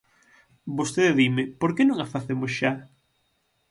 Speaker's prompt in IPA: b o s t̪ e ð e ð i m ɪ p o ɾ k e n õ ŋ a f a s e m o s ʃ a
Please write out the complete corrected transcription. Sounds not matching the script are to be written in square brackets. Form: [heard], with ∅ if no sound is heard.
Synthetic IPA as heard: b o s t̪ e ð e ð i m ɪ p o ɾ k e n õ ŋ a f a [θ] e m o s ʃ a